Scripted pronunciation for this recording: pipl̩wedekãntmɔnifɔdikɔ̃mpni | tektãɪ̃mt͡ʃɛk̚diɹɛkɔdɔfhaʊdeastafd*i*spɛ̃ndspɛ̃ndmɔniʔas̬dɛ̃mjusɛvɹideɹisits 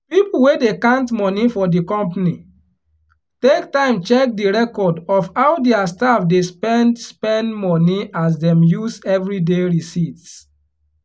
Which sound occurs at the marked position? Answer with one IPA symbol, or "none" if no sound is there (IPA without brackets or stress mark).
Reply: e